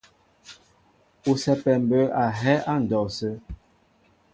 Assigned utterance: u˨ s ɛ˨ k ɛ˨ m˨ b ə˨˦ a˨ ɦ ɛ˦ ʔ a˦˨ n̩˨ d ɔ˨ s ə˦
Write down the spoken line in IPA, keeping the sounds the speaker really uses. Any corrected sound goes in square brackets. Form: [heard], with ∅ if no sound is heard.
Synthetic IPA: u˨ s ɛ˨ [p] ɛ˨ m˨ b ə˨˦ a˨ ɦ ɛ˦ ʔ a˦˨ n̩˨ d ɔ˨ s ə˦